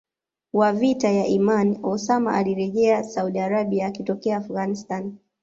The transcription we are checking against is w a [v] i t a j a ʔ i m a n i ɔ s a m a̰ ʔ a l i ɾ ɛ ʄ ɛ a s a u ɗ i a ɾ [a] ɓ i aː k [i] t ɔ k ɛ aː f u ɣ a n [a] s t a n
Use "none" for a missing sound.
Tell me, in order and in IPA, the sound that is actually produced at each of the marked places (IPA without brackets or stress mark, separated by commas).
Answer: v, a, i, i